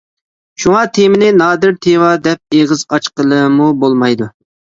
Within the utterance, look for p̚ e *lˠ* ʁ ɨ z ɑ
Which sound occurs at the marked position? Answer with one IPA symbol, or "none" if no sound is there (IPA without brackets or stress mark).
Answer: none